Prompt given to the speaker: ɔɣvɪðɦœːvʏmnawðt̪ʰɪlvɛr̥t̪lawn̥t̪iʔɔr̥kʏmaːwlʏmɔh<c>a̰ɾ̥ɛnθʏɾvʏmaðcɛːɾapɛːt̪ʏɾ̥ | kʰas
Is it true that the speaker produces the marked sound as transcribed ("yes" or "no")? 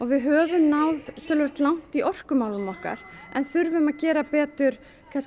no